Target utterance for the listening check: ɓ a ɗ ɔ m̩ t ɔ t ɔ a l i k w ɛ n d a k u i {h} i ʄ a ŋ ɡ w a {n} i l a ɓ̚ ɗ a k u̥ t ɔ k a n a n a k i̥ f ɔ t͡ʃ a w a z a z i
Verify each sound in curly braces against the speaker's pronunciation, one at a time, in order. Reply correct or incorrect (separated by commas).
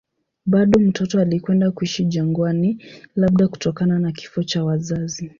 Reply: incorrect, correct